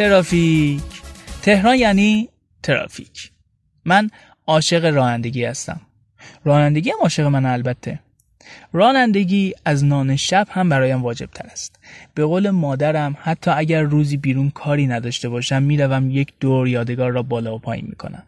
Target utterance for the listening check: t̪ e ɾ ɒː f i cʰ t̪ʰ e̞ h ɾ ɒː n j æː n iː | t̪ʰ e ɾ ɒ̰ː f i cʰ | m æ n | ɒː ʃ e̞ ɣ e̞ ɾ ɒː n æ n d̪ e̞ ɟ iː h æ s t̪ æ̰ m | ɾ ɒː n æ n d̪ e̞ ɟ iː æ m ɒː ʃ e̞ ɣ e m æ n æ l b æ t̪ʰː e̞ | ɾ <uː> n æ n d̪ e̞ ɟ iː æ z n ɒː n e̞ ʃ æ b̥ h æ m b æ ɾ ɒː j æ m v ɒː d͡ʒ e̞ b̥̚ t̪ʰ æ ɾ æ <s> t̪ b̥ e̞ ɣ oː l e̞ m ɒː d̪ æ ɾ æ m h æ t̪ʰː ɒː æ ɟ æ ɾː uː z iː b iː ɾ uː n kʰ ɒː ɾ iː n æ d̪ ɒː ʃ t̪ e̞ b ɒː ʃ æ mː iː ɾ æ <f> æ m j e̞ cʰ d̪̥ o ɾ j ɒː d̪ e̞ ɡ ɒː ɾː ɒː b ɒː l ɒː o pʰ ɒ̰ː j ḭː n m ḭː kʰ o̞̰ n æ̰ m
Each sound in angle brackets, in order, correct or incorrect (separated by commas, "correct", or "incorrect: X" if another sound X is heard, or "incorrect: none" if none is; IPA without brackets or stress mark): incorrect: ɒː, correct, incorrect: v